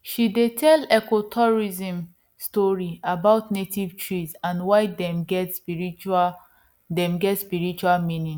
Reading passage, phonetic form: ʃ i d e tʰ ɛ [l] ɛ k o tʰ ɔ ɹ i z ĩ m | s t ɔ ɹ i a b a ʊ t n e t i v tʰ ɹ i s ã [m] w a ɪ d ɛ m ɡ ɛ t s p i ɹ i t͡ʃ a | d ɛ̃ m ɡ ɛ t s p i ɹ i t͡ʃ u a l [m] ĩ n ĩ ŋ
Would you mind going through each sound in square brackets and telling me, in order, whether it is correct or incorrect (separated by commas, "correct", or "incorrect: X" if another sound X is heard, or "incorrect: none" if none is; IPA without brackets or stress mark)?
correct, incorrect: n, correct